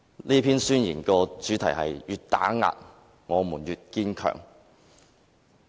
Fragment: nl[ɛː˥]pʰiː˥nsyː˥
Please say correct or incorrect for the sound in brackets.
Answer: incorrect